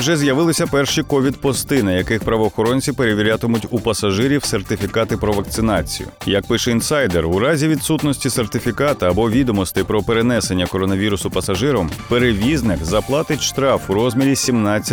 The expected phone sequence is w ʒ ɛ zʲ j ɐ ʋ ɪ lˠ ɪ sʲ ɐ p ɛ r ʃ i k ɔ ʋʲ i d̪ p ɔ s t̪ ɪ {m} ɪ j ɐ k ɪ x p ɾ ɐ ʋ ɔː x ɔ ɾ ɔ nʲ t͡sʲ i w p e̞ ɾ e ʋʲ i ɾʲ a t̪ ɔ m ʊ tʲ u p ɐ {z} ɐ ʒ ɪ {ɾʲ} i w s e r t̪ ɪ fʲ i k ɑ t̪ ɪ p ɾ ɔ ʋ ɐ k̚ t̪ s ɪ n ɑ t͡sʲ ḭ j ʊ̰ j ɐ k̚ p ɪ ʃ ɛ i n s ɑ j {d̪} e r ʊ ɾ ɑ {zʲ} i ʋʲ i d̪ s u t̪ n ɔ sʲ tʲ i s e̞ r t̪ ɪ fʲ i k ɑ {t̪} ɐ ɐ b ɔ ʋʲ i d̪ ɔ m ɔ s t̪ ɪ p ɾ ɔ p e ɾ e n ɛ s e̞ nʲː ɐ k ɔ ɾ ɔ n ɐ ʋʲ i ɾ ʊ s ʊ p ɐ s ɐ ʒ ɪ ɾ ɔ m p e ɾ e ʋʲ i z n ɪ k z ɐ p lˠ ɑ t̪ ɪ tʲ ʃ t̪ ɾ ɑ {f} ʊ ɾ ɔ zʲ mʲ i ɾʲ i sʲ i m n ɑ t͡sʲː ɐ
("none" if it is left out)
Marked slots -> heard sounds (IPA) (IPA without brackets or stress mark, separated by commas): n, s, ɾʲ, d̪, zʲ, t̪, f